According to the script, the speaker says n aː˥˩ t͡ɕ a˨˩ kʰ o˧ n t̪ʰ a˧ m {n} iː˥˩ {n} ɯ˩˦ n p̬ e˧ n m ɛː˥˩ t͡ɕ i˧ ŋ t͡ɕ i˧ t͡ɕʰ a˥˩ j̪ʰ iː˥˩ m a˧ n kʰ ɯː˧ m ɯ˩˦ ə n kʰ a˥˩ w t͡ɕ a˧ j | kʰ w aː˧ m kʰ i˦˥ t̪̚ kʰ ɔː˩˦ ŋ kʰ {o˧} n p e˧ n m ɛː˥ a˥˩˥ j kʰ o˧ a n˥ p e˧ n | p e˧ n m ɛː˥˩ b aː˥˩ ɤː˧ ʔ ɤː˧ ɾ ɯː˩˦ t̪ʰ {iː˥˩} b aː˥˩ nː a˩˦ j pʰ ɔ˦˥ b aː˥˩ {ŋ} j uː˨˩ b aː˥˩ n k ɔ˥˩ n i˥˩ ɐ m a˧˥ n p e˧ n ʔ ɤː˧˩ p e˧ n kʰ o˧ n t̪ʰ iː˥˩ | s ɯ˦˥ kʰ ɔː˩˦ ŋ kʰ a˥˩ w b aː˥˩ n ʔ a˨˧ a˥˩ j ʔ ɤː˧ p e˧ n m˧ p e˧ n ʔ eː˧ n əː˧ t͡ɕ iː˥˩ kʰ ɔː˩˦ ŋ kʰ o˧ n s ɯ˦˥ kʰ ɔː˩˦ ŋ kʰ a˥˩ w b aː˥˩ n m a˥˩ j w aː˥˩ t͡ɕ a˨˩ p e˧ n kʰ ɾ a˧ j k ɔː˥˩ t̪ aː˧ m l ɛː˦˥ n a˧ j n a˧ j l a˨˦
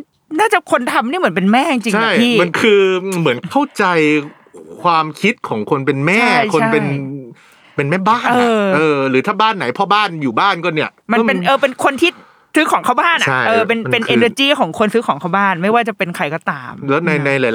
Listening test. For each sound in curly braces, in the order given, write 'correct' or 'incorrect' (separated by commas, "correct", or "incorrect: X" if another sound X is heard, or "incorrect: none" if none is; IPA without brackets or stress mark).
correct, incorrect: m, correct, incorrect: aː˥˩, incorrect: n